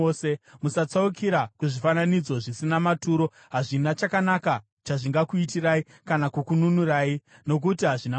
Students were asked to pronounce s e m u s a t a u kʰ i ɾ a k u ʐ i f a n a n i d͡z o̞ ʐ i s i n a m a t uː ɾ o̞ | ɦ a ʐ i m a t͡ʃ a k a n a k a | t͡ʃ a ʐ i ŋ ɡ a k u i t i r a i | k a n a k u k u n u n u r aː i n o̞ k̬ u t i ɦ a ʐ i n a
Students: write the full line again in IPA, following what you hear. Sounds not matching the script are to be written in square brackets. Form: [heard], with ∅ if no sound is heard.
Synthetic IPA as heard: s e m u s a [t͡s] a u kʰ i ɾ a k u ʐ i f a n a n i d͡z o̞ ʐ i s i n a m a t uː ɾ o̞ | ɦ a ʐ i [n] a t͡ʃ a k a n a k a | t͡ʃ a ʐ i ŋ ɡ a k u i t i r a i | k a n a k u k u n u n u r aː i n o̞ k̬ u t i ɦ a ʐ i n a